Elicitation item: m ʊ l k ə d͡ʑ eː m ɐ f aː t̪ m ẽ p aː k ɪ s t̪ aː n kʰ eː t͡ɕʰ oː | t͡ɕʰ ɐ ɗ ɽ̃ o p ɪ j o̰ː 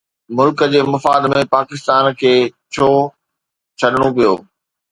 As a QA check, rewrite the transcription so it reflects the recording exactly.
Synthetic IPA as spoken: m ʊ l k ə d͡ʑ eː m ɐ f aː d̪ m ẽ p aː k ɪ s t̪ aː n kʰ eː t͡ɕʰ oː | t͡ɕʰ ɐ ɗ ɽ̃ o p i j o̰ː